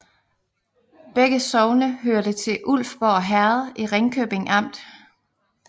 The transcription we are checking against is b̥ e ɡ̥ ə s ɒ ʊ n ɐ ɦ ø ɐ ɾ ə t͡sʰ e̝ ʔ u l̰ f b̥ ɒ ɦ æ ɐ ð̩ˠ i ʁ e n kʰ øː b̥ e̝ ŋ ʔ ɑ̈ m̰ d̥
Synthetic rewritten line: b̥ e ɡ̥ ə s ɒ ʊ n ə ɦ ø ɐ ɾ ə t͡sʰ e̝ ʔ u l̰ f b̥ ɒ ɦ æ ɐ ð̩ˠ i ʁ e ŋ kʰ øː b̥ e̝ ŋ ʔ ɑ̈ m̰ d̥